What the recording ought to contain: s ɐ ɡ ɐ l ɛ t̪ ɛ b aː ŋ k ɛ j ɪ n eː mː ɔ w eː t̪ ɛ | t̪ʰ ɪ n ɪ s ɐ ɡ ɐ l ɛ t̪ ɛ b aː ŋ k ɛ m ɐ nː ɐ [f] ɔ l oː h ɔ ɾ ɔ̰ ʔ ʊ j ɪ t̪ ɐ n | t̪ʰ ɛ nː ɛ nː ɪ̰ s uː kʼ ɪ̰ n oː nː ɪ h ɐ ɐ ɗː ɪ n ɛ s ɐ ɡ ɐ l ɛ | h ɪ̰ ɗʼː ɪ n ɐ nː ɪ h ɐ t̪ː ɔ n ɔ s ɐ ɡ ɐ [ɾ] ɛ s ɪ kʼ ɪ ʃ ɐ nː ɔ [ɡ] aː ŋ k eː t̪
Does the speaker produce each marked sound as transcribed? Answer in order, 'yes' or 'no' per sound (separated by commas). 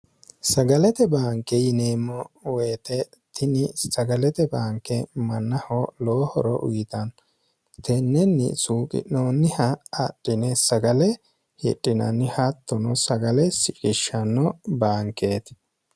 no, no, no